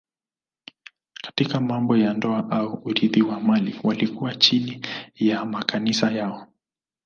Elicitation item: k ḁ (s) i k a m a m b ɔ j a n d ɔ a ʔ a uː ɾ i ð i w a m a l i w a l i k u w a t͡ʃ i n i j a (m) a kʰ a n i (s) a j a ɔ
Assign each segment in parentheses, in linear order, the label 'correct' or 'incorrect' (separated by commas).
incorrect, correct, correct